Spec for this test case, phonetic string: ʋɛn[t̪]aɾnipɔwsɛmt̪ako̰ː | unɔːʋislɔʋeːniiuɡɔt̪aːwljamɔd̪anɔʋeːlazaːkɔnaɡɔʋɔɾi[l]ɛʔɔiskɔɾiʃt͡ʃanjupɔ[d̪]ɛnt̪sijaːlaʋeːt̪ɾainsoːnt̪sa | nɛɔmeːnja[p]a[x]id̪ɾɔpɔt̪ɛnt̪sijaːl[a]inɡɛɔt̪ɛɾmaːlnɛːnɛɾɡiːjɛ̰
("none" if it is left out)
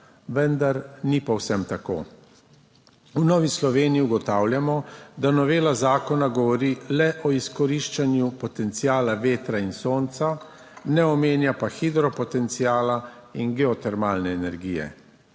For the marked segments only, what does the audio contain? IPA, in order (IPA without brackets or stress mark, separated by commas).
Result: d̪, l, t̪, p, x, a